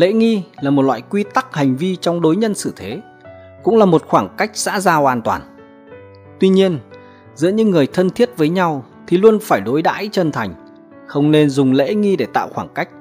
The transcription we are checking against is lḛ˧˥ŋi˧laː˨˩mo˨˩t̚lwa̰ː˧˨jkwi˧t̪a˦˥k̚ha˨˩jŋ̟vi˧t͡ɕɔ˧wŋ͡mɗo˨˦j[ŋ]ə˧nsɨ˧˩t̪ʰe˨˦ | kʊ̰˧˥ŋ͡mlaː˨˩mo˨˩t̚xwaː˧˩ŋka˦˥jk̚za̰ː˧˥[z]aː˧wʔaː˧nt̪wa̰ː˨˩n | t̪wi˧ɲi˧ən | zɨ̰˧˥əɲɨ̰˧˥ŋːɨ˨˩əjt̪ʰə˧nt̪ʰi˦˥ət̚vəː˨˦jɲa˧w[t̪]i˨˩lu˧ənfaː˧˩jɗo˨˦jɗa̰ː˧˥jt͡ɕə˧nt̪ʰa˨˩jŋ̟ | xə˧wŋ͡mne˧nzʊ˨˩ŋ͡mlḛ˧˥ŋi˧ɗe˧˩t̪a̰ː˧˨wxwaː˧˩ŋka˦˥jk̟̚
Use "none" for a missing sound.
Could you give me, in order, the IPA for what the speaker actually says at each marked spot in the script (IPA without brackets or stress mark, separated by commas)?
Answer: ɲ, z, t̪ʰ